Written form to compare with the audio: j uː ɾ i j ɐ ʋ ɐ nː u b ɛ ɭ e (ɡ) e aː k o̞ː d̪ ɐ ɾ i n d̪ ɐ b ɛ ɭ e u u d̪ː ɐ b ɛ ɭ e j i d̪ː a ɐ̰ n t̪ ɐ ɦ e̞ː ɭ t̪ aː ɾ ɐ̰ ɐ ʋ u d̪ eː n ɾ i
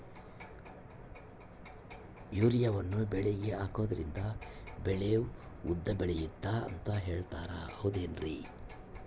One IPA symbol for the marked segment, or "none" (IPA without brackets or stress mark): ɡ